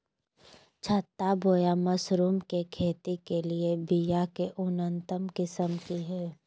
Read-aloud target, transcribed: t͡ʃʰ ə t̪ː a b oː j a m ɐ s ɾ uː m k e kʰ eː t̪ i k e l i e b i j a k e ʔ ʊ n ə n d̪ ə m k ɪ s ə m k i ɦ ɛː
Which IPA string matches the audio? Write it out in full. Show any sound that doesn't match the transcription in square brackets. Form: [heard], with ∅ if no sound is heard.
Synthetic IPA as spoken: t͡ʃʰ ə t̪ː a b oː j a m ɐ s ɾ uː m k e kʰ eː t̪ i k e l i e b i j a k e ʔ ʊ n ə n [t̪] ə m k ɪ s ə m k i ɦ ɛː

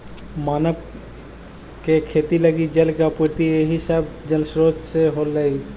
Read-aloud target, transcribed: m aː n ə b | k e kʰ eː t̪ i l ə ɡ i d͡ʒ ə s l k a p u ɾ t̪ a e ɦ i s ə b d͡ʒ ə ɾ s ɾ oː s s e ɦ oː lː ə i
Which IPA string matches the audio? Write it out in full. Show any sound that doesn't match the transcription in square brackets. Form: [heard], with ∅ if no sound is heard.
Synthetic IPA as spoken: m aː n ə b | k e kʰ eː t̪ i l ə ɡ i d͡ʒ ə [∅] l k a p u ɾ t̪ [i] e ɦ i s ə b d͡ʒ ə [l] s ɾ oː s s e ɦ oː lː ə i

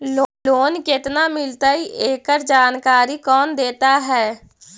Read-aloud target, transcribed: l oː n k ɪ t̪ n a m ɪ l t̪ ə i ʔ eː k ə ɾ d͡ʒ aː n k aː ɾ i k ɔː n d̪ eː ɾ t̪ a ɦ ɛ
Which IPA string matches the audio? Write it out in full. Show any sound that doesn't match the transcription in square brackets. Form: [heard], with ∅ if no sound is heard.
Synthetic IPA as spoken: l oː n k ɪ t̪ n a m ɪ l t̪ [a] i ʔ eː k ə ɾ d͡ʒ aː n k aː ɾ i k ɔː n d̪ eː [∅] t̪ a ɦ [ɛː]

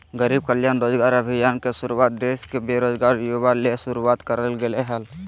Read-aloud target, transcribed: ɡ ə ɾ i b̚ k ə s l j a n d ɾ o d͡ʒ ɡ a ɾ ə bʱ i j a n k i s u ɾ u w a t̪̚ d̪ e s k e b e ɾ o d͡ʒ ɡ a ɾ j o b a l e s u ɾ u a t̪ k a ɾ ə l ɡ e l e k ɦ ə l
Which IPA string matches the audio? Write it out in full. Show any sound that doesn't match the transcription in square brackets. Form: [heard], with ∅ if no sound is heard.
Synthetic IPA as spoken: ɡ ə ɾ i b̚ k ə [∅] l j a n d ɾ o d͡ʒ ɡ a ɾ ə bʱ i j a n k [e] s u ɾ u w a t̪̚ d̪ e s k e b e ɾ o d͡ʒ ɡ a ɾ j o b a l e s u ɾ u a t̪ k [ə] ɾ ə l ɡ e l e [∅] ɦ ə l

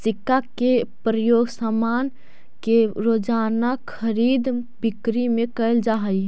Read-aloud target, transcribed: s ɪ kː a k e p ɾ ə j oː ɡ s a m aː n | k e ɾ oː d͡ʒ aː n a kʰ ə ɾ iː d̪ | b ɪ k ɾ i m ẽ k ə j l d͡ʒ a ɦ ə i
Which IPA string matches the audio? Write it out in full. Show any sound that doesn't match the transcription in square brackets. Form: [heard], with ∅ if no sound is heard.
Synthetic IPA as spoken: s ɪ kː a k e p ɾ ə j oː ɡ s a m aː n | k e ɾ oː d͡ʒ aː n a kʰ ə ɾ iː d̪ | b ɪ k ɾ i m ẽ k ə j l d͡ʒ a ɦ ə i

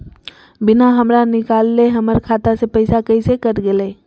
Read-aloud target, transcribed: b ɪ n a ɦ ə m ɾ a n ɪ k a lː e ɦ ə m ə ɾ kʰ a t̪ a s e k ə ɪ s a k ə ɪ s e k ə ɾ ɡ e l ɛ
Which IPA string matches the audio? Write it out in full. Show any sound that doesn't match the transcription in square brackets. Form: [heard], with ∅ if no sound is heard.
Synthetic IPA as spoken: b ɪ n a ɦ ə m ɾ a n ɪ k a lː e ɦ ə m ə ɾ kʰ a t̪ a s e [p] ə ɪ s a k ə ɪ s e k ə ɾ ɡ e l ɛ

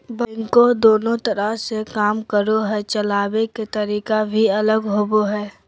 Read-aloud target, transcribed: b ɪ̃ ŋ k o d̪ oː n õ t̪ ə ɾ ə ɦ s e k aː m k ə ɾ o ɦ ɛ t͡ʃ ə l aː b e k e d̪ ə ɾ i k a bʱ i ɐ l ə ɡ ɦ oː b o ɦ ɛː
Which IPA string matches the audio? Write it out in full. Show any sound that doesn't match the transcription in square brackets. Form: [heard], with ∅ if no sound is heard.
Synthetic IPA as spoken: b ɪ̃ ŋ k o d̪ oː n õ t̪ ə ɾ ə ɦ s e k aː m k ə ɾ o ɦ ɛ t͡ʃ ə l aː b e k e [t̪] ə ɾ [iː] k a bʱ i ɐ l ə ɡ ɦ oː b o ɦ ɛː

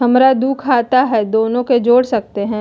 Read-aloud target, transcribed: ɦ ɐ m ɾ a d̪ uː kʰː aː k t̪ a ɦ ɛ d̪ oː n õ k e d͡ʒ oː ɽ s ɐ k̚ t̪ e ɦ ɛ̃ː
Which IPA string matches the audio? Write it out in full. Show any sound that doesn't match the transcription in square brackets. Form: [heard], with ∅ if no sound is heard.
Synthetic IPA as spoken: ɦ ɐ m ɾ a d̪ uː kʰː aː [∅] t̪ a ɦ ɛ d̪ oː n õ k e d͡ʒ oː ɽ s ɐ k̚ t̪ e ɦ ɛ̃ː

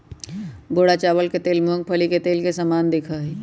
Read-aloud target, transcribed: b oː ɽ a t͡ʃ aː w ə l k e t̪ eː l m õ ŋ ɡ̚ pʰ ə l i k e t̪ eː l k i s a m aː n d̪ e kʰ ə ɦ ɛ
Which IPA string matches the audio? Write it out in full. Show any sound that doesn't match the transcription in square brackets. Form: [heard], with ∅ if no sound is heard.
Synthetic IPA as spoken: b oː ɽ a t͡ʃ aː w ə l k e t̪ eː l m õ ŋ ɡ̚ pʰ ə l i k e t̪ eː l k [e] s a m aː n d̪ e kʰ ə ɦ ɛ

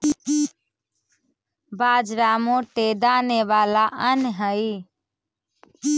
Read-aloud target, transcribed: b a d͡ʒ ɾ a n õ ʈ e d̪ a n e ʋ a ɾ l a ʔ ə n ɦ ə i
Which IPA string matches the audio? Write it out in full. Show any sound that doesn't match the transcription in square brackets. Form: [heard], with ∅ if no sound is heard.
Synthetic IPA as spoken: b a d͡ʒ ɾ a [m] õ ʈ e d̪ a n e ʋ a [∅] l a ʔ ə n ɦ ə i

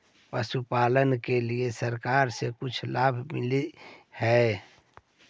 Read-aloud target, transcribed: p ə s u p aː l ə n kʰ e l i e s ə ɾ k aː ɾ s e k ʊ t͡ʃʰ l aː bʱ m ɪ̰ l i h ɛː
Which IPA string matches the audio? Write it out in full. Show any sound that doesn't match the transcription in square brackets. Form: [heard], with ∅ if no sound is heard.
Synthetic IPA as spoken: p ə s u p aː l ə n [k] e l i e s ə ɾ k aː ɾ s e k ʊ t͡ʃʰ l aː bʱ m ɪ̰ l i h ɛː

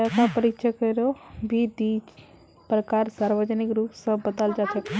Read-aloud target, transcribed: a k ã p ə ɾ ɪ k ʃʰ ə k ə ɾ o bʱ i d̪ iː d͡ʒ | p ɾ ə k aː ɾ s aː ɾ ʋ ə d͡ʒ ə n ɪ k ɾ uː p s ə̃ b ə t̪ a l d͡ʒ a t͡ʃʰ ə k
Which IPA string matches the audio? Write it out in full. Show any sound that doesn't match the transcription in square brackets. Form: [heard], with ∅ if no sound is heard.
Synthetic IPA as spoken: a k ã p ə ɾ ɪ k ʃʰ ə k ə ɾ o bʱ i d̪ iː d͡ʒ | p ɾ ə k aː ɾ s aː ɾ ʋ ə d͡ʒ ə n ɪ k ɾ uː p s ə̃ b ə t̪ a l d͡ʒ a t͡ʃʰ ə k

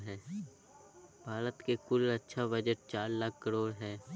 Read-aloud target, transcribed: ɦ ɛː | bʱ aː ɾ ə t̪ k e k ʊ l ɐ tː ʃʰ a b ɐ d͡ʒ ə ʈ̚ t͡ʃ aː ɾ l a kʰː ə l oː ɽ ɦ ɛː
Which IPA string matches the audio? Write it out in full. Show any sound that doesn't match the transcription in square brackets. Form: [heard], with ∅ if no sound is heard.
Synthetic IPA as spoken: ɦ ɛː | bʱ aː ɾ ə t̪ k e k ʊ l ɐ tː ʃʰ a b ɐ d͡ʒ ə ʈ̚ t͡ʃ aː ɾ l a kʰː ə [ɾ] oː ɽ ɦ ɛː

